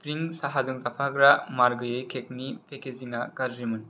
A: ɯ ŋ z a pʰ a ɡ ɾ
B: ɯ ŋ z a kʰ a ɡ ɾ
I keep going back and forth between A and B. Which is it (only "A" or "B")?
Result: A